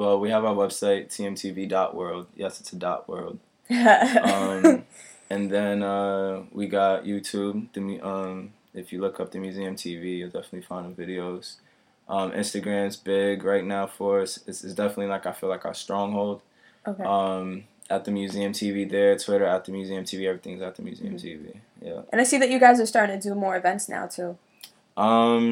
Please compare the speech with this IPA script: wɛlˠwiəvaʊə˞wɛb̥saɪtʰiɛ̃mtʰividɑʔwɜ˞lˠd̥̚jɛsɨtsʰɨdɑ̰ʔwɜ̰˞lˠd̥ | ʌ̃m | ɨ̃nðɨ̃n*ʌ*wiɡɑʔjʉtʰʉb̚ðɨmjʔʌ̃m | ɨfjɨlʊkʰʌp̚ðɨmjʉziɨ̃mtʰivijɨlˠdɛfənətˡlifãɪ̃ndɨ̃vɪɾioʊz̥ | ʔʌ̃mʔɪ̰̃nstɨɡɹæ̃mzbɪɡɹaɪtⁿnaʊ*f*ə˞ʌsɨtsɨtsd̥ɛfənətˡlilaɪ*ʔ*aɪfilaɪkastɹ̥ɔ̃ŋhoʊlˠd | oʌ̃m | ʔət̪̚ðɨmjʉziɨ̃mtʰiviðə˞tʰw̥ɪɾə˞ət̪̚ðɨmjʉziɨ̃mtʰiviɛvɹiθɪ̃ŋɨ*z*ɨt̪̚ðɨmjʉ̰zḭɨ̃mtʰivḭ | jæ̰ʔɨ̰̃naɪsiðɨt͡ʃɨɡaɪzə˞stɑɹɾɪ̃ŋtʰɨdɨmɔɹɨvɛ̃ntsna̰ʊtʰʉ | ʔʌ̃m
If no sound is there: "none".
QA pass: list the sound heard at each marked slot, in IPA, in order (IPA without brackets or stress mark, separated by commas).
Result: ʌ, f, k, z